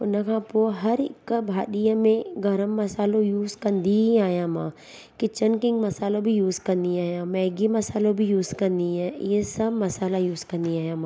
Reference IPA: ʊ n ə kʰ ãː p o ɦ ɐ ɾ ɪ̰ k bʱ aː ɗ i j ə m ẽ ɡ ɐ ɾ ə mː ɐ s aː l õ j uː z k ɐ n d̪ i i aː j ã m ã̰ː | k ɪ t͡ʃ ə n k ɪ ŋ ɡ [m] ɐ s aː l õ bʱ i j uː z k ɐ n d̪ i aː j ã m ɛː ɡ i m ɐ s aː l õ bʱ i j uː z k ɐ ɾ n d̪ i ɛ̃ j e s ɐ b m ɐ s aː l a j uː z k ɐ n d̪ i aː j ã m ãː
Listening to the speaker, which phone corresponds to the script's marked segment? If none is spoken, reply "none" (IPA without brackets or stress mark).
m